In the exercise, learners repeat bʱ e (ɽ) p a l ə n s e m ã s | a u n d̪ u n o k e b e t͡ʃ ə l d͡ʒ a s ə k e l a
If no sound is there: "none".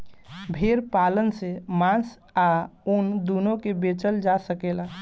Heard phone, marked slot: ɾ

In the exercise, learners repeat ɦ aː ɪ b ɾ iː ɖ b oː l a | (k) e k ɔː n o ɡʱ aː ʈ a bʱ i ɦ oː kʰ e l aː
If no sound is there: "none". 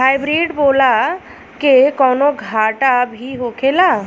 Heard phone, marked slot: k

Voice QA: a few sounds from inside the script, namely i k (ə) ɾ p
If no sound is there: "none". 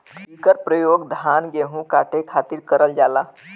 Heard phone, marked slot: ə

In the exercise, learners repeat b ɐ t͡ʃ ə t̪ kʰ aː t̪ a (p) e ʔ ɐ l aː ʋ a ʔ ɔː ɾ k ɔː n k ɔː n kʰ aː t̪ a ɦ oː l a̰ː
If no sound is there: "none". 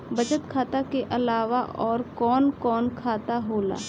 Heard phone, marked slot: k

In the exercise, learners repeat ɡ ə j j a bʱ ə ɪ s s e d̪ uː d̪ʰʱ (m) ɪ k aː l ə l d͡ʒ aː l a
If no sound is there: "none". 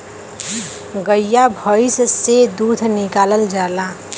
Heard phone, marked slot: n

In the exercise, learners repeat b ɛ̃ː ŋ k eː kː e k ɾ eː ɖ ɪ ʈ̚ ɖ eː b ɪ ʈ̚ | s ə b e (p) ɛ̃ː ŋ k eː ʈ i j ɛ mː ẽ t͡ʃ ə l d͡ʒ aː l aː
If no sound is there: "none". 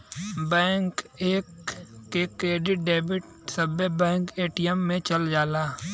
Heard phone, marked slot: b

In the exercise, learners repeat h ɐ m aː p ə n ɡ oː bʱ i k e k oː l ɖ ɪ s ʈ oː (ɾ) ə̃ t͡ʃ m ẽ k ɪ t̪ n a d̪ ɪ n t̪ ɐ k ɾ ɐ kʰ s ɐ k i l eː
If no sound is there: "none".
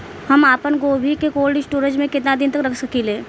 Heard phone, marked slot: ɾ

